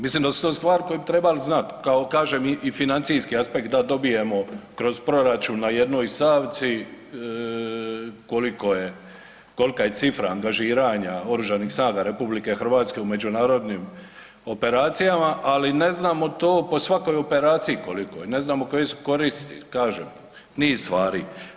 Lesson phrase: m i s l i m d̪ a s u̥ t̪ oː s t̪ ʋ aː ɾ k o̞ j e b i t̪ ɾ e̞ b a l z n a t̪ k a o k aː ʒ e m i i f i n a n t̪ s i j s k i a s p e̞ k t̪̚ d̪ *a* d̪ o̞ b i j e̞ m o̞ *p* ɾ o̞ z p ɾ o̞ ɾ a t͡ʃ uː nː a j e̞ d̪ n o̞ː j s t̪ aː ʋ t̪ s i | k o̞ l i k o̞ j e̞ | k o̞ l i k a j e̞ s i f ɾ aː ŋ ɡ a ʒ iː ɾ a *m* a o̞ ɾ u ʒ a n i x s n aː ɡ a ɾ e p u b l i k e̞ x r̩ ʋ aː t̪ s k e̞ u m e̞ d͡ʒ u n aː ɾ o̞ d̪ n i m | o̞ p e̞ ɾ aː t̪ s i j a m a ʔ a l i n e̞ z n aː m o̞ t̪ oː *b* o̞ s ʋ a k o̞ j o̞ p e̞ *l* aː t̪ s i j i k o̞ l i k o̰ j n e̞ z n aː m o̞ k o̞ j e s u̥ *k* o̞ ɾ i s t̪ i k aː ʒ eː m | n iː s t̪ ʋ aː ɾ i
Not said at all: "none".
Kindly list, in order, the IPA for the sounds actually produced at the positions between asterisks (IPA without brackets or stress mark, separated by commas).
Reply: a, k, ɲ, p, ɾ, k